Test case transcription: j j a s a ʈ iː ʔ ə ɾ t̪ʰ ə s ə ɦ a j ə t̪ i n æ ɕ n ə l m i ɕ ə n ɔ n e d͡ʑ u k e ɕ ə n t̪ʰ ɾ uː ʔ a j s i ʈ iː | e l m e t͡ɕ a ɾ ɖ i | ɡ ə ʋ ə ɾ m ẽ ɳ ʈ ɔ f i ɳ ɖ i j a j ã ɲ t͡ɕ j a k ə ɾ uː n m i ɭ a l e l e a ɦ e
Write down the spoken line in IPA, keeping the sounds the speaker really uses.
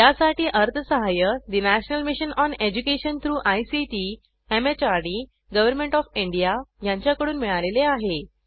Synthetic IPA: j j a s a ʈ iː ʔ ə ɾ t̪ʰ ə s ə ɦ a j ə d̪ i n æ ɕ n ə l m i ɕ ə n ɔ n e d͡ʑ u k e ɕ ə n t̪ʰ ɾ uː ʔ a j s i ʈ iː | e m e t͡ɕ a ɾ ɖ i | ɡ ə ʋ ə ɾ m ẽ ɳ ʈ ɔ f i ɳ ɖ i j a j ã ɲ t͡ɕ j a k ə ɽ uː n m i ɭ a l e l e a ɦ e